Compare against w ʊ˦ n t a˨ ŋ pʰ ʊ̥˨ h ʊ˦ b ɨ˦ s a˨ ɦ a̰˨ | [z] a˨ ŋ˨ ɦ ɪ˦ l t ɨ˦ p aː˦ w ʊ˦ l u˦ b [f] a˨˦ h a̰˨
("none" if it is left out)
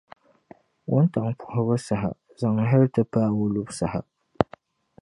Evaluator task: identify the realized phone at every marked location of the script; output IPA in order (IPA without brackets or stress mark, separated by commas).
z, s